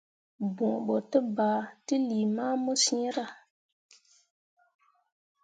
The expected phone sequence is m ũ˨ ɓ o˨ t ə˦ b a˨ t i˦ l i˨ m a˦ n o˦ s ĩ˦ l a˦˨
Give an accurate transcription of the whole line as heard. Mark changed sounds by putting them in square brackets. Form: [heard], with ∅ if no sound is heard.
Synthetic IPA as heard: [b] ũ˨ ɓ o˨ t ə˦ b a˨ t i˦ l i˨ m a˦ [m] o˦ s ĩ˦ [ɾ] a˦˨